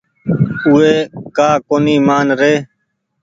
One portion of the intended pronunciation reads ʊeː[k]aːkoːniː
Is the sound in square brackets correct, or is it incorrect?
correct